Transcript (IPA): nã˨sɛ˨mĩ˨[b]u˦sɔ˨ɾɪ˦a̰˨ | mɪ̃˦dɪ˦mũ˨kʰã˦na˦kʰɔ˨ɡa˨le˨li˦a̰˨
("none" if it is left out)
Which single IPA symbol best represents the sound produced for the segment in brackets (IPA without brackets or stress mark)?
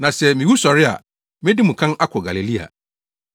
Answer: w